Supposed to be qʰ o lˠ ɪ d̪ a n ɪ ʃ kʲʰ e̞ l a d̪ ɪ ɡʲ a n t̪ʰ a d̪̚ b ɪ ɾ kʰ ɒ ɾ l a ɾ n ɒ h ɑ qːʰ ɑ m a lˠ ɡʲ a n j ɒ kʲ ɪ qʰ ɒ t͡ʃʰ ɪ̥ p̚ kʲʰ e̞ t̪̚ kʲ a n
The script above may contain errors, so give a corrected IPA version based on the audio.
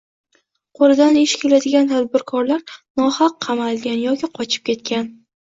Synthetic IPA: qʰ o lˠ ɪ d̪ a n ɪ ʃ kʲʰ e̞ l a d̪ ɪ ɡʲ a n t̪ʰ a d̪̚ b ɪ ɾ kʰ ɒ ɾ l a ɾ n ɒ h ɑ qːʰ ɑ m a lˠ ɡʲ a n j ɒ kʲ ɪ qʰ ɒ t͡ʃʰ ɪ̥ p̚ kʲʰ e̞ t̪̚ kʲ a n